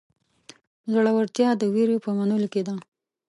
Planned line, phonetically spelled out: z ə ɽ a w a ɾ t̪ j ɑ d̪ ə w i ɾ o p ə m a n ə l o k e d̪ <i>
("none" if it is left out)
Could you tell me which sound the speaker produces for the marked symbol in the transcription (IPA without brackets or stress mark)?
a